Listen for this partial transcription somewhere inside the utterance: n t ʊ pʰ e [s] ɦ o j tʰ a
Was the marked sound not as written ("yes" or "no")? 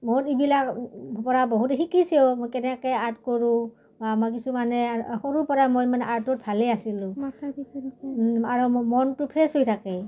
no